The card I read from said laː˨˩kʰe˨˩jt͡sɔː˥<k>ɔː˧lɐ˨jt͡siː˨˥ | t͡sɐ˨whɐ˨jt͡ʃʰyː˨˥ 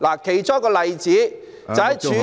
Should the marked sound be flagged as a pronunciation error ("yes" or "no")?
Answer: no